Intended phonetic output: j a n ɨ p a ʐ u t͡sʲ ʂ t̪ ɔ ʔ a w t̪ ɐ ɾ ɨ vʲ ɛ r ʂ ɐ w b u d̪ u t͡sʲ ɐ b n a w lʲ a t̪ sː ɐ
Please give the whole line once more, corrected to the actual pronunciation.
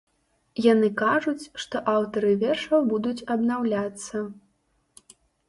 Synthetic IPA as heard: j a n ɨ k a ʐ u t͡sʲ ʂ t̪ ɔ ʔ a w t̪ ɐ ɾ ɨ vʲ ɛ r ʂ ɐ w b u d̪ u t͡sʲ ɐ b n a w lʲ a t̪ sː ɐ